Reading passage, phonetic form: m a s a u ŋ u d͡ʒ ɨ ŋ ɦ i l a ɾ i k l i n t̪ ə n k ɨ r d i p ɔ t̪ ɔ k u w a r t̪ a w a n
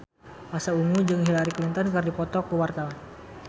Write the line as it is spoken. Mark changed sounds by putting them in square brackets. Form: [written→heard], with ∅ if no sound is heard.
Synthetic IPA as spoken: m a s a u ŋ u d͡ʒ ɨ ŋ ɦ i l a ɾ i k l i n t̪ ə n k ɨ r d i p ɔ t̪ ɔ k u w a r t̪ a w a n